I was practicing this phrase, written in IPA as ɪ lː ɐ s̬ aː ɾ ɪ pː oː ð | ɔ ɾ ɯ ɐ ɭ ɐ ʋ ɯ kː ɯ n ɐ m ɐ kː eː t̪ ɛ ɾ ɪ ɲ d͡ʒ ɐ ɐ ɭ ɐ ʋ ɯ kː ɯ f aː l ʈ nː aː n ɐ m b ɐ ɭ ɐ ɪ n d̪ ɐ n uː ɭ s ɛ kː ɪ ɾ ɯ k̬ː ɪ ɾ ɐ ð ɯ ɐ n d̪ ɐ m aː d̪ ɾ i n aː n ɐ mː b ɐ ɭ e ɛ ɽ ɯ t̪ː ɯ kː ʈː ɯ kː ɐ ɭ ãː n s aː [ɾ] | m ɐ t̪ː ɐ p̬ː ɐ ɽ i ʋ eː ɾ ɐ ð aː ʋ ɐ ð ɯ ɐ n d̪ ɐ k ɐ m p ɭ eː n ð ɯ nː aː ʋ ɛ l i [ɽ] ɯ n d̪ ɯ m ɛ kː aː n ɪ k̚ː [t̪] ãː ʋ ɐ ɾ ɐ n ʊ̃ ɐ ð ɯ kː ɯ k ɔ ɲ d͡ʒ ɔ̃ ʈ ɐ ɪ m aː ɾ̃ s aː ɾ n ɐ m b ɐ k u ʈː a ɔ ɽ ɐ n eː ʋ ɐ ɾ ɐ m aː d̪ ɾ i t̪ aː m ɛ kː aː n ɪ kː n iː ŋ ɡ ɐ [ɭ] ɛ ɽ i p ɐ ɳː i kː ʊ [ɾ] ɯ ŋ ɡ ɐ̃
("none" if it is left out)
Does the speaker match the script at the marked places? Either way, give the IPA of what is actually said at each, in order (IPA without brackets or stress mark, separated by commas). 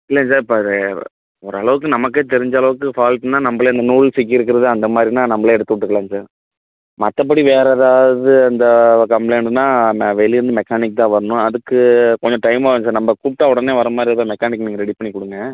ɾ, ɾ, t̪, ɾ, ɽ